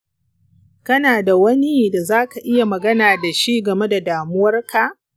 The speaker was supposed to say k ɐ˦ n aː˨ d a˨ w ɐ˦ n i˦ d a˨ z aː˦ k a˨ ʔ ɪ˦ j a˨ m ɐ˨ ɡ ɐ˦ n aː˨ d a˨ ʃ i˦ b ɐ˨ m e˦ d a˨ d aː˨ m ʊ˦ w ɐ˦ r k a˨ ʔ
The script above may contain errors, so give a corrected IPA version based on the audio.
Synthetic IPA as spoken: k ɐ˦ n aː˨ d a˨ w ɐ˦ n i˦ d a˨ z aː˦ k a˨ ʔ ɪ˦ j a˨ m ɐ˨ ɡ ɐ˦ n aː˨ d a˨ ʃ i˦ ɡ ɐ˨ m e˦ d a˨ d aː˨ m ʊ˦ w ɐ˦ r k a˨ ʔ